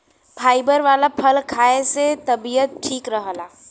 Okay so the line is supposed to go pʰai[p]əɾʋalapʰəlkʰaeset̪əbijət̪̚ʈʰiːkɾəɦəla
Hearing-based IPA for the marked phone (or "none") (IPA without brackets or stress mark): b